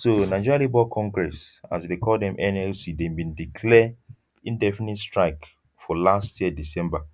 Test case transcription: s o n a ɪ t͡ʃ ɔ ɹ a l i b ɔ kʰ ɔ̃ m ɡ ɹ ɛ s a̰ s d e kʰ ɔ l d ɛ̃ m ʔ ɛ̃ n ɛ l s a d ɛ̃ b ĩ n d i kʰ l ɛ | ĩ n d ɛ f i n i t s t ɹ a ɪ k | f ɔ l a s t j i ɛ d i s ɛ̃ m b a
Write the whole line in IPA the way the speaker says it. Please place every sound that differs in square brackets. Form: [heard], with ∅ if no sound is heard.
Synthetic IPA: s o n a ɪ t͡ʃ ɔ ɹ a l i b ɔ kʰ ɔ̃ [ŋ] ɡ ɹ ɛ s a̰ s d e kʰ ɔ l d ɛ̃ m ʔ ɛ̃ n ɛ l s [i] d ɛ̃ b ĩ n d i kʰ l ɛ | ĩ n d ɛ f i n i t s t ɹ a ɪ k | f ɔ l a s t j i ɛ d i s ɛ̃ m b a